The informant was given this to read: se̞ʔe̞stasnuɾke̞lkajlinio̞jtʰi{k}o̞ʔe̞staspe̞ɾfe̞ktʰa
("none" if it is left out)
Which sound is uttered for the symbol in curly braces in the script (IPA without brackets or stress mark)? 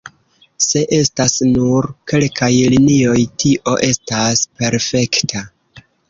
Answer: ʔ